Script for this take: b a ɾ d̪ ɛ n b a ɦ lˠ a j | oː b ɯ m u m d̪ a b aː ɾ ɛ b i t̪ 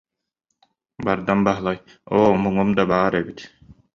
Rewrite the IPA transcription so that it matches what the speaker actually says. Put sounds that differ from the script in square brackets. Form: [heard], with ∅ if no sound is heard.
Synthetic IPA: b a ɾ d̪ [a] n b a ɦ lˠ a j | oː [m] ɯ [ŋ] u m d̪ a b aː ɾ ɛ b i t̪